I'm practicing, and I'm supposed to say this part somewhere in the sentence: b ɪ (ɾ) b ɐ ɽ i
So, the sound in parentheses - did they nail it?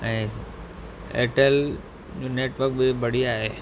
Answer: no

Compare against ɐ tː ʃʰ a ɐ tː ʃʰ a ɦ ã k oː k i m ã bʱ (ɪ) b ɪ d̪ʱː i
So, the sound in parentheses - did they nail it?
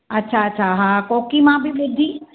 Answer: no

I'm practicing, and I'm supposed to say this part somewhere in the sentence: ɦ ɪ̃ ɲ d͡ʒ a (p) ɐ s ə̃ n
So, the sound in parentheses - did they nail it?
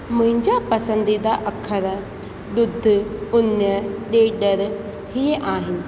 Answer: yes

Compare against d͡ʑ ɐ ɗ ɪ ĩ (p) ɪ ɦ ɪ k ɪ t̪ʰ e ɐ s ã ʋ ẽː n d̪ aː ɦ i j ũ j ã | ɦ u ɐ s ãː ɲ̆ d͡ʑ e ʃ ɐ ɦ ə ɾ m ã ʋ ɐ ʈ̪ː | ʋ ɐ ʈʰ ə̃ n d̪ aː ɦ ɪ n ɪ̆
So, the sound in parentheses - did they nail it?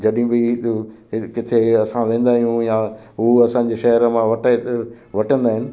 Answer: no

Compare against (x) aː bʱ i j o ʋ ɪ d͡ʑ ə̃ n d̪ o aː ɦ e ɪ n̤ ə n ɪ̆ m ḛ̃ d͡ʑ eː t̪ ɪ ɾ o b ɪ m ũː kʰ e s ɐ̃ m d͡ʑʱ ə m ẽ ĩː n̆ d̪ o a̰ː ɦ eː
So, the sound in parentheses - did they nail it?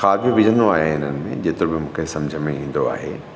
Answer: yes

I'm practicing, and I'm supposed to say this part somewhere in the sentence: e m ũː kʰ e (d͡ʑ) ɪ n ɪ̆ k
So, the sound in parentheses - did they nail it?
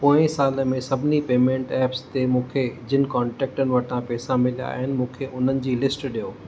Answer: yes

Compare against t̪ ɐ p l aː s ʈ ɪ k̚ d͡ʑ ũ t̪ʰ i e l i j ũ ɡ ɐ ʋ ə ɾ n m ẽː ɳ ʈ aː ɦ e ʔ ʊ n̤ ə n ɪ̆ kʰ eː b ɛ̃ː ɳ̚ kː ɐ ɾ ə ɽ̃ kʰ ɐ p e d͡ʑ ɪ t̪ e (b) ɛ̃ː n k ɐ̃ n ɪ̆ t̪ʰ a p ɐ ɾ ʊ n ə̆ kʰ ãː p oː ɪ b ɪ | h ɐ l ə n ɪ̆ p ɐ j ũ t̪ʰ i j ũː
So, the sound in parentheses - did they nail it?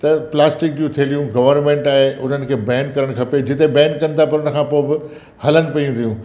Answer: yes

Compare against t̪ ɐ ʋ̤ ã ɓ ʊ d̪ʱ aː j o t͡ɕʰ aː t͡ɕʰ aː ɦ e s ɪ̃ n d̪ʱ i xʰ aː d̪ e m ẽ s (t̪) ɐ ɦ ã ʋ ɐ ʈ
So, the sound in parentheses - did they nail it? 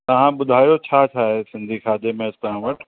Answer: yes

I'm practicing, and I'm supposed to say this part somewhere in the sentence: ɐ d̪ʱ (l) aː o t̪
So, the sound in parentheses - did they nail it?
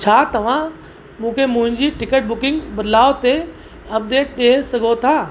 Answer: yes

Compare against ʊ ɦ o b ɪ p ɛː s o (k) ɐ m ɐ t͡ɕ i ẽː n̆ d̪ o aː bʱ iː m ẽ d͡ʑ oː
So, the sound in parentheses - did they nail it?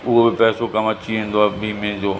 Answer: yes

